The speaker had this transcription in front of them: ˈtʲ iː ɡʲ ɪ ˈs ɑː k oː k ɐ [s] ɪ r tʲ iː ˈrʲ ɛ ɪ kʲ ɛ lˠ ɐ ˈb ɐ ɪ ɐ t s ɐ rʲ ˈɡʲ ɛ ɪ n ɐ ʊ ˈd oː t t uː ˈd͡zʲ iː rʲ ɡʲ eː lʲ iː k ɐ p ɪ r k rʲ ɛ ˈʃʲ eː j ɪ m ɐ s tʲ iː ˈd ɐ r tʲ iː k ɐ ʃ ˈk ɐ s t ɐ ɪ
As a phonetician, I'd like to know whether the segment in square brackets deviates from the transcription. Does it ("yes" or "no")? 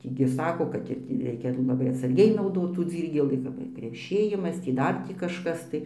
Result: yes